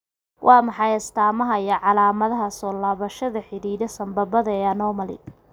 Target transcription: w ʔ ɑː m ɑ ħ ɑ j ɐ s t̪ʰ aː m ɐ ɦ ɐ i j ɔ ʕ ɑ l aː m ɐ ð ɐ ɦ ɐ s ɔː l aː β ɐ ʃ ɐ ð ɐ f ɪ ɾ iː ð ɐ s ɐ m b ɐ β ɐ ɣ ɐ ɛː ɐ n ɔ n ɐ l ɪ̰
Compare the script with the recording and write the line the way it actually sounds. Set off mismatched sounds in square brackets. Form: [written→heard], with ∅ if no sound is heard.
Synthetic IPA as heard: w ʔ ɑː m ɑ ħ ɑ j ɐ s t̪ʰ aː m ɐ ɦ ɐ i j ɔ ʕ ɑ l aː m ɐ ð ɐ ɦ ɐ s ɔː l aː β ɐ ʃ ɐ ð ɐ [f→ħ] ɪ ɾ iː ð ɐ s ɐ m b ɐ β ɐ [ɣ→ð] ɐ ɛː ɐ n ɔ [n→m] ɐ l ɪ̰